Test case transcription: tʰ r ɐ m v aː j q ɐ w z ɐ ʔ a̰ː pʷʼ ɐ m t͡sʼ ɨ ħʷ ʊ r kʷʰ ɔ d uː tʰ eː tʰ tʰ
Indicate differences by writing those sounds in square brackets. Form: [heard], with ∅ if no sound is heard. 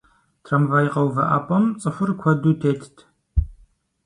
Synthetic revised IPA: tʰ r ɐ m v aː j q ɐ w [v] ɐ ʔ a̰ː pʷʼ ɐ m t͡sʼ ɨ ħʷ ʊ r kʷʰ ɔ d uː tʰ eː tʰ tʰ